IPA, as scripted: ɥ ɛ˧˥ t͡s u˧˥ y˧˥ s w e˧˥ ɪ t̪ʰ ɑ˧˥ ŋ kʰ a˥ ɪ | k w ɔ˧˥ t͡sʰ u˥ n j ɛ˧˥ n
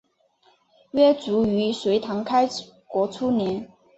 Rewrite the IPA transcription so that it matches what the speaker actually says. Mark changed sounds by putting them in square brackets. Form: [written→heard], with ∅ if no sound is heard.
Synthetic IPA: ɥ [ɛ˧˥→ɛ˥] t͡s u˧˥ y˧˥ s w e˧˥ ɪ t̪ʰ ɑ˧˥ ŋ kʰ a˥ ɪ | k w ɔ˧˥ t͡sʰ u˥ n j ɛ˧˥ n